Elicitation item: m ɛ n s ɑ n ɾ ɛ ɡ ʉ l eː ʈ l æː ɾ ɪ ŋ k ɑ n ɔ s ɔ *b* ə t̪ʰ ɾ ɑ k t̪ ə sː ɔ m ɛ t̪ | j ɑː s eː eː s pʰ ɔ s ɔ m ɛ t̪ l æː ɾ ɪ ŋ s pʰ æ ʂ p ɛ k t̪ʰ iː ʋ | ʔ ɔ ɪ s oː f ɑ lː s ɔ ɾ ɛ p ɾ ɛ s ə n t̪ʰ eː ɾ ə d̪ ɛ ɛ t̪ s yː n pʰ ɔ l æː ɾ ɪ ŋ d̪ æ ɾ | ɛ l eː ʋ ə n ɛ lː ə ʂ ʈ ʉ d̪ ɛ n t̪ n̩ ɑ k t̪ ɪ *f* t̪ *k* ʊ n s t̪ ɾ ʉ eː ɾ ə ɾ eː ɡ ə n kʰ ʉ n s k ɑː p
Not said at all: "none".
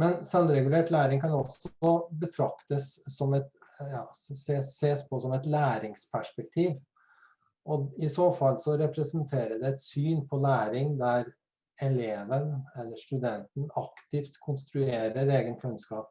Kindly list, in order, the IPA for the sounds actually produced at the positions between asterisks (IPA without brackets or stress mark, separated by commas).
b, f, kʰ